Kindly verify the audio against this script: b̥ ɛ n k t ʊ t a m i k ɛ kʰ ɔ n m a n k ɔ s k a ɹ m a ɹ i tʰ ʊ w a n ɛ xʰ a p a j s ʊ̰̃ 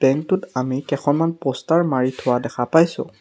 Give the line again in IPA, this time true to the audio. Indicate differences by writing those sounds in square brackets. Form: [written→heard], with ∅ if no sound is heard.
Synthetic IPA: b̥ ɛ [n→ŋ] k t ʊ t a m i k ɛ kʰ ɔ n m a n [k→p] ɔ s [k→t] a ɹ m a ɹ i tʰ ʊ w a [n→d] ɛ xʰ a p a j s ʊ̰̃